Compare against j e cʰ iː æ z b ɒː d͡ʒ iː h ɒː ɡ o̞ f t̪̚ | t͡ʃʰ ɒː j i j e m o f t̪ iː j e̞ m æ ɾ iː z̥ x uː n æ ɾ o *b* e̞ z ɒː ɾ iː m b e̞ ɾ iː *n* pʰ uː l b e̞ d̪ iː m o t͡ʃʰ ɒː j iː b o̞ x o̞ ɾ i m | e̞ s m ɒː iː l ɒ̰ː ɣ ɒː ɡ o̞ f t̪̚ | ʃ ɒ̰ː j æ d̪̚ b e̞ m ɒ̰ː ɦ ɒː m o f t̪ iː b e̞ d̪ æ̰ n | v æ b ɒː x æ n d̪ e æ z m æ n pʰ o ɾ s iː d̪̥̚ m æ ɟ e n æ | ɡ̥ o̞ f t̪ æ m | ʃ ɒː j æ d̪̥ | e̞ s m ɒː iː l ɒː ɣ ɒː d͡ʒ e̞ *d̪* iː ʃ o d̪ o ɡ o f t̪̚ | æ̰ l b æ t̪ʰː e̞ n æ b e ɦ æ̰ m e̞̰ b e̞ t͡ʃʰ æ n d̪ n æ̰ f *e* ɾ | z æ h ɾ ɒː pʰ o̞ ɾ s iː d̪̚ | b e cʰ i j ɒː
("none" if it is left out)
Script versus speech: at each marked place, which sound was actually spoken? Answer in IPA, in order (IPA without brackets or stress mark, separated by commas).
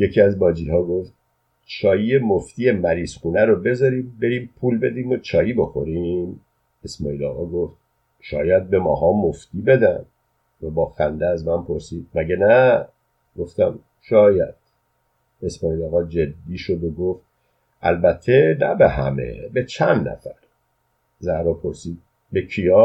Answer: b, m, d̪ː, æ